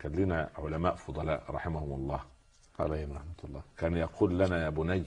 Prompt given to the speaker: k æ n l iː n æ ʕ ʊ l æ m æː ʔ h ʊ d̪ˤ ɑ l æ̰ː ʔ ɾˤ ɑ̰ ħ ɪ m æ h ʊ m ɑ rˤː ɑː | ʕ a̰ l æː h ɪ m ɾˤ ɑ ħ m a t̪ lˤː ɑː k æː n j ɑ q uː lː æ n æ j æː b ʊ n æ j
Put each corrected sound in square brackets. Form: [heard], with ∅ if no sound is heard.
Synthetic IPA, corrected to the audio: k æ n l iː n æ ʕ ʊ l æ m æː ʔ [f] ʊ d̪ˤ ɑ l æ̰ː ʔ ɾˤ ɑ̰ ħ ɪ m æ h ʊ m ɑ [lˤː] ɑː | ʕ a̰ l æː h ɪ m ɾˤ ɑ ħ m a t̪ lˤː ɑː k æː n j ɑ q uː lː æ n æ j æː b ʊ n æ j